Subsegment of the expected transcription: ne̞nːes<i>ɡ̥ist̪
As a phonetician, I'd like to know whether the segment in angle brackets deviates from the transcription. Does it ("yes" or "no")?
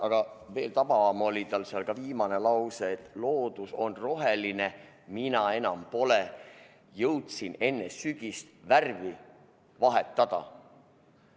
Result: yes